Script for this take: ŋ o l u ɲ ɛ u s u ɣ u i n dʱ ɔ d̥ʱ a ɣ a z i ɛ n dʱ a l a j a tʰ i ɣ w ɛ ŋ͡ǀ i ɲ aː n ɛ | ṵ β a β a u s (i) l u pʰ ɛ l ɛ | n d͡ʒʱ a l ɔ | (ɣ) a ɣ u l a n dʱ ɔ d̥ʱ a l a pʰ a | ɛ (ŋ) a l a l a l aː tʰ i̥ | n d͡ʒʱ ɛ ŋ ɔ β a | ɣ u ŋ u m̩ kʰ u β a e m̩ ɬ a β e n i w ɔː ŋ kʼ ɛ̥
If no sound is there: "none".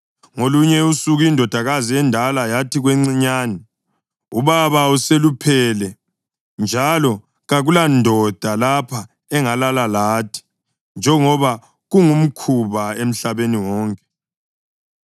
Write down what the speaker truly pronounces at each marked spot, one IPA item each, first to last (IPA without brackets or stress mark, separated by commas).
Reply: e, ɣ, ŋ